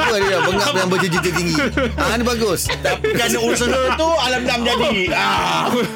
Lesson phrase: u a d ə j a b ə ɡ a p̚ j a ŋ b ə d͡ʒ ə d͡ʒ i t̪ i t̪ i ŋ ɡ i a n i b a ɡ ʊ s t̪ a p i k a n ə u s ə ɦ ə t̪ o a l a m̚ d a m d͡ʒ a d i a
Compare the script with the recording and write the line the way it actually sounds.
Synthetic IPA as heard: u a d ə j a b ə ŋ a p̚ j a ŋ b ə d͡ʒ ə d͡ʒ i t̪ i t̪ i ŋ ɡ i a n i b a ɡ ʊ s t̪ a p i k a n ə u s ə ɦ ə t̪ u a l a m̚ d a m d͡ʒ a d i a